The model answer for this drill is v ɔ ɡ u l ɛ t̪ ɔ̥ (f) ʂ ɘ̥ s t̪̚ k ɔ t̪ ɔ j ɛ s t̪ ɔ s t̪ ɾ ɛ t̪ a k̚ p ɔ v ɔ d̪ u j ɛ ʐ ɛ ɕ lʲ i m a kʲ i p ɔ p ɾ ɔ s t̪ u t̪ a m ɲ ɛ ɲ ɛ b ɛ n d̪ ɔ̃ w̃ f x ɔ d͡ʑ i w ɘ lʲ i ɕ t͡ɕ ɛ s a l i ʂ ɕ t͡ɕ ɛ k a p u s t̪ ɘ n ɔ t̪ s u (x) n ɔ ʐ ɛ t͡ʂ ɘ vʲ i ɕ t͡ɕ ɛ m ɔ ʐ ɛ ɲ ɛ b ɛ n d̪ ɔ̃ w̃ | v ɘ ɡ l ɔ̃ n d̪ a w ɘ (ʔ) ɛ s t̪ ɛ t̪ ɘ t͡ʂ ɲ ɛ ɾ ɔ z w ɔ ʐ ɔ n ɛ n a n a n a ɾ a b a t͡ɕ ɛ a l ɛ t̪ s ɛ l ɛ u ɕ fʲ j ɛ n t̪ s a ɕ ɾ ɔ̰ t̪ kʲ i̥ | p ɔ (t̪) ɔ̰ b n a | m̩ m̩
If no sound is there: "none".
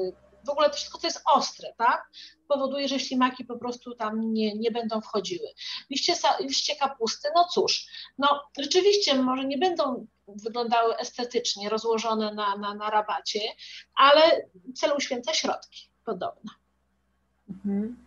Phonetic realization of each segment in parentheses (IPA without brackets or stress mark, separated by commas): f, ʂ, ʔ, d̪